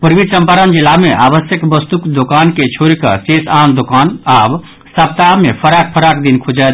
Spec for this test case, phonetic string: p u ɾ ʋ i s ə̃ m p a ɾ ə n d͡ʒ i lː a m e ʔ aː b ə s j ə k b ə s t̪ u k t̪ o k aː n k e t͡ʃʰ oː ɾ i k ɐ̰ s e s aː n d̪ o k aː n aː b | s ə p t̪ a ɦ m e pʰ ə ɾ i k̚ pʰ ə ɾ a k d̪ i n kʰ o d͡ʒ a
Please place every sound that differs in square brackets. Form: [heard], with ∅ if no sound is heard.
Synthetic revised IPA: p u ɾ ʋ i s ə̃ m p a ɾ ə n d͡ʒ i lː a m e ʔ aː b ə s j ə k b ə s t̪ u k [d̪] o k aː n k e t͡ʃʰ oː ɾ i k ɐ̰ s e s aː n d̪ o k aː n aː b | s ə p t̪ a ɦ m e pʰ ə ɾ [a] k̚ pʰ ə ɾ a k d̪ i n kʰ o d͡ʒ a